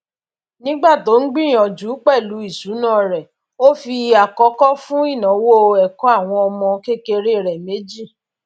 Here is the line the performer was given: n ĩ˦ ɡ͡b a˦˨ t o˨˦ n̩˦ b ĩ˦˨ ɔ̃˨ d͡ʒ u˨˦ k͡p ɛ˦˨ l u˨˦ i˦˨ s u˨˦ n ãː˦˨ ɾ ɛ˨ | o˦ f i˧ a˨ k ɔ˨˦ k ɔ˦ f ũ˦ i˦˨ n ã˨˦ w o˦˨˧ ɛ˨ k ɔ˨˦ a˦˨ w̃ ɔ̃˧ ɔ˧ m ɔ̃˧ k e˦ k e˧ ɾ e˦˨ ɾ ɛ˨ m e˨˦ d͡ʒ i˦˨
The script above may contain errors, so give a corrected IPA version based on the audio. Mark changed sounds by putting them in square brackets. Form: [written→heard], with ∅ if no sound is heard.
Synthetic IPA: n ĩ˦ ɡ͡b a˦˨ t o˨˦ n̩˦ [b→ɡ͡b] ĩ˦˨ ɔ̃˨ d͡ʒ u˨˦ k͡p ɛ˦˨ l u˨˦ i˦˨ s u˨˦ n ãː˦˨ ɾ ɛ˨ | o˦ f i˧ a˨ k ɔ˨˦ k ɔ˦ f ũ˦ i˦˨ n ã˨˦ w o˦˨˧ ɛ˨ k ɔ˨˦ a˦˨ w̃ ɔ̃˧ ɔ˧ m ɔ̃˧ k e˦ k e˧ ɾ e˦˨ ɾ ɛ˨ m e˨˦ d͡ʒ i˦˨

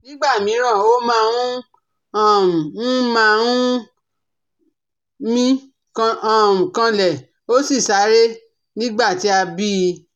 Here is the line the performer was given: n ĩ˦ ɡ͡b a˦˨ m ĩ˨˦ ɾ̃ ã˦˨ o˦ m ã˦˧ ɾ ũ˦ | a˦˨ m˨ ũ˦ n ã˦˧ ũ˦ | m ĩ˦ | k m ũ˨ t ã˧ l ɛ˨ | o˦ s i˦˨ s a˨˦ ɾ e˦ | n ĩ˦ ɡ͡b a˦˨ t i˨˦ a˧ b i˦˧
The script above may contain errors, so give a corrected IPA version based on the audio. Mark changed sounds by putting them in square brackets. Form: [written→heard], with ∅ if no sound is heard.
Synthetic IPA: n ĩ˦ ɡ͡b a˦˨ m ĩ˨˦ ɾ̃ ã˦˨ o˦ m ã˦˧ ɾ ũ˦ | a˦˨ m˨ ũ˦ [n→m] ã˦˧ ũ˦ | m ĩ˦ | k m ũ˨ [t→k] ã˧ l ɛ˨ | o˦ s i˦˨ s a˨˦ ɾ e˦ | n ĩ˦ ɡ͡b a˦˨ t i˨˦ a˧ b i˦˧

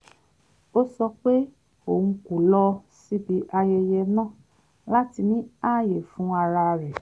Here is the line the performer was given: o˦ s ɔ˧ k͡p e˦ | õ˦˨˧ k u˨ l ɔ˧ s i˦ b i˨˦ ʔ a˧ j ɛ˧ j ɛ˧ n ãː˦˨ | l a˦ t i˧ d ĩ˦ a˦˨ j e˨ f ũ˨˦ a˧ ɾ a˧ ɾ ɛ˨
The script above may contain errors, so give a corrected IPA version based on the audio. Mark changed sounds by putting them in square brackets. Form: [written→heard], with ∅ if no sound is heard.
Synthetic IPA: o˦ s ɔ˧ k͡p e˦ | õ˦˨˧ k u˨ l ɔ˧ s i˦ b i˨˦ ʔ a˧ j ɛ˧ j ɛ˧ n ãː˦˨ | l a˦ t i˧ [d→n] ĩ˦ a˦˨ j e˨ f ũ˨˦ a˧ ɾ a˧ ɾ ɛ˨

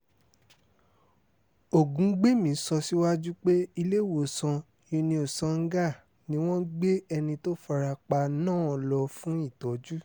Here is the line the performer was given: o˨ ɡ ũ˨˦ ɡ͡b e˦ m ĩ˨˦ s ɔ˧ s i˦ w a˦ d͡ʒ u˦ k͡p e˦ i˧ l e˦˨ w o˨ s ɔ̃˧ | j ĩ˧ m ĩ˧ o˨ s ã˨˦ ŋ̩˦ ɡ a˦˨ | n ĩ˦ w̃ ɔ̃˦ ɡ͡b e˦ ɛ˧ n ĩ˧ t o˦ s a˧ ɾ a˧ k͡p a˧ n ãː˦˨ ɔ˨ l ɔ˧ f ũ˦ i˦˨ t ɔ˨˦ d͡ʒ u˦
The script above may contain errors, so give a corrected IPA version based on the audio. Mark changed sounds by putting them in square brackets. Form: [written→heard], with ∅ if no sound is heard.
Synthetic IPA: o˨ ɡ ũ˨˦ ɡ͡b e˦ m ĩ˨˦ s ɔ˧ s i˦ w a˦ d͡ʒ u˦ k͡p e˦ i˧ l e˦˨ w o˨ s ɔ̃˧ | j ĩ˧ [m→n] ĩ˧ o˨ s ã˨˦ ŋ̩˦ ɡ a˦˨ | n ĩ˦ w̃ ɔ̃˦ ɡ͡b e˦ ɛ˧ n ĩ˧ t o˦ [s→f] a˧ ɾ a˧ k͡p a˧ n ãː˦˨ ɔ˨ l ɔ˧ f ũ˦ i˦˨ t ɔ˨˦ d͡ʒ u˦

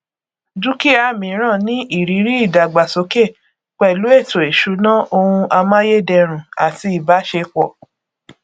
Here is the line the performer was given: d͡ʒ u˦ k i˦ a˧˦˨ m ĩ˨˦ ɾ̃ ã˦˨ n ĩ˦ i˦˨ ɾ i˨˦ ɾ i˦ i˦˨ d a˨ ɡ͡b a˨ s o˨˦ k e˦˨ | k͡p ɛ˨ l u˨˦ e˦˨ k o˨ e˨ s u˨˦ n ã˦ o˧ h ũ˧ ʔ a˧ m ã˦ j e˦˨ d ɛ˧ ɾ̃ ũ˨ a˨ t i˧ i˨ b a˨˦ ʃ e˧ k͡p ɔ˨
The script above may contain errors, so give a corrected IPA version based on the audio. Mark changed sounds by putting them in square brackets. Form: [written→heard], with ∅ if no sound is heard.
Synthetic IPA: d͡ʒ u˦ k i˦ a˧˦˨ m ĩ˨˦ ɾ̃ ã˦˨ n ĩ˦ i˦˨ ɾ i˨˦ ɾ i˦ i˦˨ d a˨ ɡ͡b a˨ s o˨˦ k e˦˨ | k͡p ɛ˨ l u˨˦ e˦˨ [k→t] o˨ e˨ [s→ʃ] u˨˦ n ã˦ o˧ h ũ˧ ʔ a˧ m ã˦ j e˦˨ d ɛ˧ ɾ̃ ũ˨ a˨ t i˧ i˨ b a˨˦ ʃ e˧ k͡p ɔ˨

